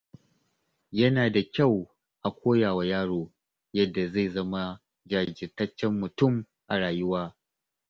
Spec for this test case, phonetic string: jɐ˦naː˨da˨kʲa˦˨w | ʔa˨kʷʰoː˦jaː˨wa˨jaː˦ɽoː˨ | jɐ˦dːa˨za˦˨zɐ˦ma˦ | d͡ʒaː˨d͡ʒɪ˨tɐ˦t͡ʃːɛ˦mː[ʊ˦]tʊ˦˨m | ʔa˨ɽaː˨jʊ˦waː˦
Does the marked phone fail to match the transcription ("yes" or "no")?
yes